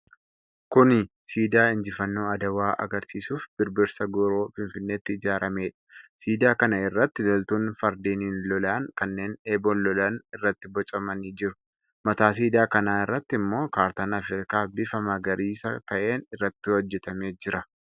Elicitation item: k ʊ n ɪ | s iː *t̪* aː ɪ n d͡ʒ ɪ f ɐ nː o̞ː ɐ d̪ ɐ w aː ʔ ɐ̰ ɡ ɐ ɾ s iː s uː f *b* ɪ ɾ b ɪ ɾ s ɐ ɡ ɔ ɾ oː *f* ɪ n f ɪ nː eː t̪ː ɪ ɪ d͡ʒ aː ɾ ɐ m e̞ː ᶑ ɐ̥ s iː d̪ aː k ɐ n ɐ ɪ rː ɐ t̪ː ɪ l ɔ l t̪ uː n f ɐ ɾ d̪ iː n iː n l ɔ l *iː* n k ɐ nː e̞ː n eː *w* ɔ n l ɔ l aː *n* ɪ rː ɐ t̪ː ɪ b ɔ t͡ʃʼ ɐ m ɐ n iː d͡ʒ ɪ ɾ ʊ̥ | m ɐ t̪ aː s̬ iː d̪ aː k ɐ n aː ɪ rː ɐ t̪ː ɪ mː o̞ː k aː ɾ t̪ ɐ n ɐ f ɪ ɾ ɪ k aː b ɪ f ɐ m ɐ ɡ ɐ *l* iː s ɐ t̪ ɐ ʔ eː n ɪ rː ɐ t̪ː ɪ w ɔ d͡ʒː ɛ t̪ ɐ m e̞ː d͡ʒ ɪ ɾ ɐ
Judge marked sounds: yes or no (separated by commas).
no, yes, yes, no, no, yes, no